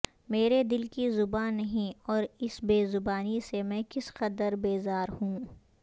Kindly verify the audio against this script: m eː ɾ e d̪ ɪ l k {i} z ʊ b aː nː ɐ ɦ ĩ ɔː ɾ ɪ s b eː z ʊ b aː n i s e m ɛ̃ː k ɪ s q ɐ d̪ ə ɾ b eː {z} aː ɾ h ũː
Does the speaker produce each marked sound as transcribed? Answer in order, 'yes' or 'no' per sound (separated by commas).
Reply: yes, yes